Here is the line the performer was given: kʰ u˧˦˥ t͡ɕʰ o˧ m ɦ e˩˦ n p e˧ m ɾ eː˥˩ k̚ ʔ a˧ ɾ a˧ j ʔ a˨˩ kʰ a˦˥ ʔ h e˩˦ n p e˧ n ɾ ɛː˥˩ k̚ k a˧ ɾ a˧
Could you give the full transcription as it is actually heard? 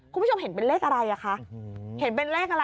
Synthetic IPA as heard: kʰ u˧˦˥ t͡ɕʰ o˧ m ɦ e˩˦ n p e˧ n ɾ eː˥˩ k̚ ʔ a˧ ɾ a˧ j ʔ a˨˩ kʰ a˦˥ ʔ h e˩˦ n p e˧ n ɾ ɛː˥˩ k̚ ʔ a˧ ɾ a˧